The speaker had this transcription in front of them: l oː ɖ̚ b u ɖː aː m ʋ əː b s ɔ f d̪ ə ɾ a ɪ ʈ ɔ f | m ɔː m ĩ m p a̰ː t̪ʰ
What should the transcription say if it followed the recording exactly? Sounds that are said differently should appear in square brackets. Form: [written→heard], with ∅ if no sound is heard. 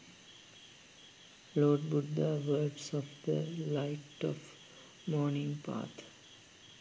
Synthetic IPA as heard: l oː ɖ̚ b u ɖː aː [m→∅] ʋ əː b s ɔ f d̪ ə [ɾ→l] a ɪ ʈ ɔ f | m ɔː [m→n] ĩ [m→ŋ] p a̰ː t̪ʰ